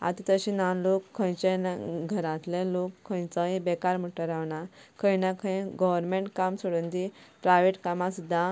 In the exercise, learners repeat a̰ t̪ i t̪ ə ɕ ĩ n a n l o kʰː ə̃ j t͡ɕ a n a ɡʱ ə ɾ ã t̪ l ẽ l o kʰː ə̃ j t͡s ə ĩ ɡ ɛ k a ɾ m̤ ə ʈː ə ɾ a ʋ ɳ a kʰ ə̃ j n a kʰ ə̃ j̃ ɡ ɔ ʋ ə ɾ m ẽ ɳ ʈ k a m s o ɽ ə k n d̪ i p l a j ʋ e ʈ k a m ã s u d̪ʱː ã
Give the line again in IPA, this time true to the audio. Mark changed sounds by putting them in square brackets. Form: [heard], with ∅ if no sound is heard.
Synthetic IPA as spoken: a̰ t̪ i t̪ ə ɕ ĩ n a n l o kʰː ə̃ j t͡ɕ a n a ɡʱ ə ɾ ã t̪ l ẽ l o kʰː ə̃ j t͡s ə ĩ [b] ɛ k a ɾ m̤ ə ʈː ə ɾ a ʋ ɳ a kʰ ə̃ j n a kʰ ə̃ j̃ ɡ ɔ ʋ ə ɾ m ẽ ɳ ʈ k a m s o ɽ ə [∅] n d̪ i p [ɾ] a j ʋ e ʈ k a m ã s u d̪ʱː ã

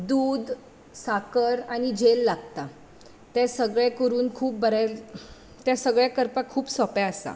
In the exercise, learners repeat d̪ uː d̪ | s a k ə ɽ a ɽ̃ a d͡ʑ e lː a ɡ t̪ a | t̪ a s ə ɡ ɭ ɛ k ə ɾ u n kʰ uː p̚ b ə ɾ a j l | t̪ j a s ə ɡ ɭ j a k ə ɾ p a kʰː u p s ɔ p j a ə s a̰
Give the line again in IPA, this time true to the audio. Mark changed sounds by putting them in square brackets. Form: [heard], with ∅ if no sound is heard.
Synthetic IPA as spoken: d̪ uː d̪ | s a k ə [ɾ] a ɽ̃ [i] d͡ʑ e lː a ɡ t̪ a | t̪ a s ə ɡ ɭ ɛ k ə ɾ [uː] n kʰ uː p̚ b ə ɾ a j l | t̪ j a s ə ɡ ɭ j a k ə ɾ p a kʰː [uː] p s ɔ p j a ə s a̰

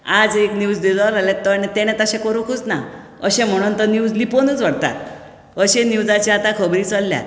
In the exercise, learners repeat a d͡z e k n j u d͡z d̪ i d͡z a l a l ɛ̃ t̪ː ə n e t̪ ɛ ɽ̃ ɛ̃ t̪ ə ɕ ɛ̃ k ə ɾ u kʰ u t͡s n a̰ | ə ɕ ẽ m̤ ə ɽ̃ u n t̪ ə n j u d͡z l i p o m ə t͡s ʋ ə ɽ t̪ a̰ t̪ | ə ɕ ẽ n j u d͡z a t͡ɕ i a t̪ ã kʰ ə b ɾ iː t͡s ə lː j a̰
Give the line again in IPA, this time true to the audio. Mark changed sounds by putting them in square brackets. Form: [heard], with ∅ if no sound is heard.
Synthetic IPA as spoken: a d͡z e k n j u d͡z d̪ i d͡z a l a l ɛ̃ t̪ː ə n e t̪ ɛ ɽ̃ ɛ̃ t̪ ə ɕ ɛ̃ k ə ɾ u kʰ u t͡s n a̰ | ə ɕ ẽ m̤ ə ɽ̃ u n t̪ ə n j u d͡z l i p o [n] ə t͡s ʋ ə ɽ t̪ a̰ t̪ | ə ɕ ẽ n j u d͡z a t͡ɕ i a t̪ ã kʰ ə b ɾ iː t͡s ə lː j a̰

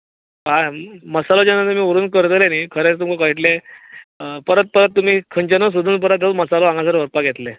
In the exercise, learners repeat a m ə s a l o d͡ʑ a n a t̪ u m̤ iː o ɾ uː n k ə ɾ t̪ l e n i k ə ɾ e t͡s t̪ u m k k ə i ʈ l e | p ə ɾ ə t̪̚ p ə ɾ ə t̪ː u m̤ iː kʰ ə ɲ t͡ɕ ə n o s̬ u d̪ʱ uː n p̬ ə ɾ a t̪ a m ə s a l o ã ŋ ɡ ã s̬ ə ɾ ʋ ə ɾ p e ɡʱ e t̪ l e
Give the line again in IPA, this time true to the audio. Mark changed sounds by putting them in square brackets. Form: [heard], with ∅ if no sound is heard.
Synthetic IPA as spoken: a m ə s a l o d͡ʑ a n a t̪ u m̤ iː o ɾ uː n k ə ɾ t̪ l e n i [kʰ] ə ɾ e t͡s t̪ u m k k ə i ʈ l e | p ə ɾ ə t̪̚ p ə ɾ ə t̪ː u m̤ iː kʰ ə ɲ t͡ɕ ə n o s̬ u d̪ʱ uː n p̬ ə ɾ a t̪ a m ə s a l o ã ŋ ɡ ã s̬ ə ɾ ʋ ə ɾ p [a] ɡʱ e t̪ l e

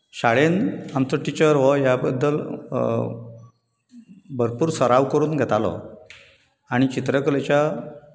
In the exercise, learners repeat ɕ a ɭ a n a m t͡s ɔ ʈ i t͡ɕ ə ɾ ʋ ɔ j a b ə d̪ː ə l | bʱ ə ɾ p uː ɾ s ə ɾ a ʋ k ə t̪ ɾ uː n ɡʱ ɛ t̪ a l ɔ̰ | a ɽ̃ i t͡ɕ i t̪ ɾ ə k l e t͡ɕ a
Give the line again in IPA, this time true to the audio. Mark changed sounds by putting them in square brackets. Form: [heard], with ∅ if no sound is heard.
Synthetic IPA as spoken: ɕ a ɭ [e] n a m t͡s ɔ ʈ i t͡ɕ ə ɾ ʋ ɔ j a b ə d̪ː ə l | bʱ ə ɾ p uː ɾ s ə ɾ a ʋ k ə [∅] ɾ uː n ɡʱ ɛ t̪ a l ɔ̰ | a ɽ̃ i t͡ɕ i t̪ ɾ ə k l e t͡ɕ a

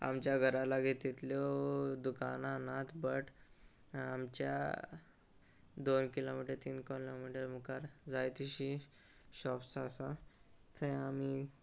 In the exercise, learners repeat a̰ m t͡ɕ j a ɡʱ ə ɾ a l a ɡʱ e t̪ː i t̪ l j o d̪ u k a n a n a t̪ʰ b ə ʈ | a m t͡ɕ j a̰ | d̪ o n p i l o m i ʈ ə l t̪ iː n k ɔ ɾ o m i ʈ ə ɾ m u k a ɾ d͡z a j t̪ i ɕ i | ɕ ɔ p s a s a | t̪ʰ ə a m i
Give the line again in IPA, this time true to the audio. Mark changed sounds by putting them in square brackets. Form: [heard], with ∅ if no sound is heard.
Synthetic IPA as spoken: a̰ m t͡ɕ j a ɡʱ ə ɾ a l a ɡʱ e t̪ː i t̪ l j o d̪ u k a n a n a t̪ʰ b ə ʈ | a m t͡ɕ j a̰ | d̪ o n [k] i l o m i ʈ ə [ɾ] t̪ iː n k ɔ [l] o m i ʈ ə ɾ m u k a ɾ d͡z a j t̪ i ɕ i | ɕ ɔ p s a s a | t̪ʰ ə a m i

